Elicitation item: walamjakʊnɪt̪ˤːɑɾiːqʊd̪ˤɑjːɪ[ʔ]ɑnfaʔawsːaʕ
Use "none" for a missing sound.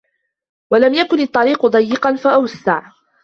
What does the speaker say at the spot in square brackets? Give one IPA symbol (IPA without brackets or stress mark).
q